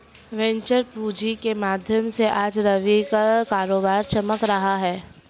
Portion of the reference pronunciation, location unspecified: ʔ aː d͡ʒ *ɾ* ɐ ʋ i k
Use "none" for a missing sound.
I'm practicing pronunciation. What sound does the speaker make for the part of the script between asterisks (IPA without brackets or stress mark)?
ɾ